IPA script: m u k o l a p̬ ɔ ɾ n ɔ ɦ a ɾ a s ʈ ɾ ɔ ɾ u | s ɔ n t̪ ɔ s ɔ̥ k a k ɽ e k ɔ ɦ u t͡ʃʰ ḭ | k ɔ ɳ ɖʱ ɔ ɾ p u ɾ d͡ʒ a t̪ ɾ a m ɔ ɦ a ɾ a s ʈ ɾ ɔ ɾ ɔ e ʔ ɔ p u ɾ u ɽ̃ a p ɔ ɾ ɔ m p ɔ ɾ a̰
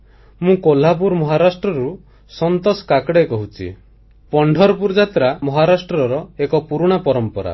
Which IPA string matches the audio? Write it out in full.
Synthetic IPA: m ũ k o l a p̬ u ɾ m ɔ ɦ a ɾ a s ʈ ɾ ɔ ɾ u | s ɔ n t̪ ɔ s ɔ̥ k a k ɽ e k ɔ ɦ u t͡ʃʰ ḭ | p ɔ ɳ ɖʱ ɔ ɾ p u ɾ d͡ʒ a t̪ ɾ a m ɔ ɦ a ɾ a s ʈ ɾ ɔ ɾ ɔ e k ɔ p u ɾ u ɽ̃ a p ɔ ɾ ɔ m p ɔ ɾ a̰